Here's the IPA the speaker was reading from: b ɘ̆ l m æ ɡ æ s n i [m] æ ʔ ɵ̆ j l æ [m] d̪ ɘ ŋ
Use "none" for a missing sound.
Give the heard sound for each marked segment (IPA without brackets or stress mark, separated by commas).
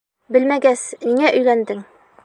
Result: ŋ, n